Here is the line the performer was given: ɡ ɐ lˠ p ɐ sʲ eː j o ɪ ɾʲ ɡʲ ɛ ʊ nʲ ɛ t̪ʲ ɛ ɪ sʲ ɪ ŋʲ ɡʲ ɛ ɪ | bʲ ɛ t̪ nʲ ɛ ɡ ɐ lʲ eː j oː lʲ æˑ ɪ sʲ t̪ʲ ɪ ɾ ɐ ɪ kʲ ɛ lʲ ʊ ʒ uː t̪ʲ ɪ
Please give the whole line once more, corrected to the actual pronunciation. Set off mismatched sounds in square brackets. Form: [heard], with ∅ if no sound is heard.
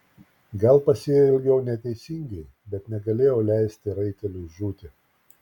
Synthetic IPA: ɡ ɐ lˠ p ɐ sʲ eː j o ɪ [lʲ] ɡʲ ɛ ʊ nʲ ɛ t̪ʲ ɛ ɪ sʲ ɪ ŋʲ ɡʲ ɛ ɪ | bʲ ɛ t̪ nʲ ɛ ɡ ɐ lʲ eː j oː lʲ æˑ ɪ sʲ t̪ʲ ɪ ɾ ɐ ɪ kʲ ɛ lʲ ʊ ʒ uː t̪ʲ ɪ